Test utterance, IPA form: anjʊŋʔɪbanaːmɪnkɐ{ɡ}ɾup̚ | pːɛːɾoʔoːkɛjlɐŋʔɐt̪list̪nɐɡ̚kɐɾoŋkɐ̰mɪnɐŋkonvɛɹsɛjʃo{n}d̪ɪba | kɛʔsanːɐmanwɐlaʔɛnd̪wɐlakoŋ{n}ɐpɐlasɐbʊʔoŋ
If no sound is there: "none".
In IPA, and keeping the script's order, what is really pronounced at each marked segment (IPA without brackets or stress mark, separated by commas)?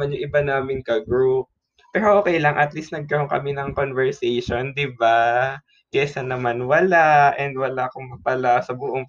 ɡ, n, m